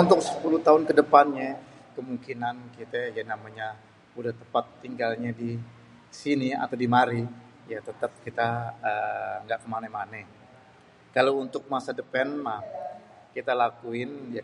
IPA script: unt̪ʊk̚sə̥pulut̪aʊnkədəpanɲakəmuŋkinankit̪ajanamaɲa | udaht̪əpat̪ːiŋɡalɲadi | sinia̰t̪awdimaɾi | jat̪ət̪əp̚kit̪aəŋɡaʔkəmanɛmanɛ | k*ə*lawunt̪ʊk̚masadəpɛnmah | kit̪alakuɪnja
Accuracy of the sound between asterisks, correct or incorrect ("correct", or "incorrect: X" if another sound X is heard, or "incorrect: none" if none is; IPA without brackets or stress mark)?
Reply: incorrect: a